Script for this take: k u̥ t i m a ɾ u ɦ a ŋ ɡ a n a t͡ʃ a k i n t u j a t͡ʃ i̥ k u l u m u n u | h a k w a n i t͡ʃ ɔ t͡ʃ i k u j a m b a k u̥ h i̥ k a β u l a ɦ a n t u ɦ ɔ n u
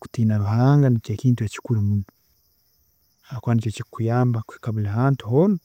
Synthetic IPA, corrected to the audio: k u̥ t i n a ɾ u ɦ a ŋ ɡ a n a t͡ʃ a k i n t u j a t͡ʃ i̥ k u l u m u n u | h a k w a n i t͡ʃ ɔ t͡ʃ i k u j a m b a k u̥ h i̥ k a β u l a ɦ a n t u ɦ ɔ n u